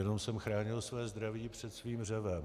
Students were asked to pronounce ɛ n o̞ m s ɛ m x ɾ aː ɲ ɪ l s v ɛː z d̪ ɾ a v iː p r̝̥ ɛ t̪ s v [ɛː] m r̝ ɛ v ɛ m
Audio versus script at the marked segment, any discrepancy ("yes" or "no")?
yes